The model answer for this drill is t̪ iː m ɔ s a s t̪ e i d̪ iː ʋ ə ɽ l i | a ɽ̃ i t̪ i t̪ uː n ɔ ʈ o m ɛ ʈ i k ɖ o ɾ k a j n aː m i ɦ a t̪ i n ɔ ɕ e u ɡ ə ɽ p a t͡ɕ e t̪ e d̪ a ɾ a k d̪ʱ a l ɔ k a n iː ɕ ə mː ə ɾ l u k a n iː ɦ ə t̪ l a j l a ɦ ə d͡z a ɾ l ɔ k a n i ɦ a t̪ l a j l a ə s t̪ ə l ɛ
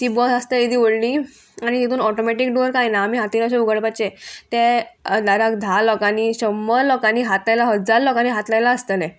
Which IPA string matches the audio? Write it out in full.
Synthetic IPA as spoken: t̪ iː b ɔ s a s t̪ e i d̪ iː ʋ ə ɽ l i | a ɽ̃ i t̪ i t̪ uː n ɔ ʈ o m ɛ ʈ i k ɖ o ɾ k a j n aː m i ɦ a t̪ i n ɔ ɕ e u ɡ ə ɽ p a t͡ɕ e t̪ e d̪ a ɾ a k d̪ʱ a l ɔ k a n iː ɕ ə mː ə ɾ l ɔ k a n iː ɦ a t̪ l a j l a ɦ ə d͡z a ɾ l ɔ k a n i ɦ a t̪ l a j l a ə s t̪ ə l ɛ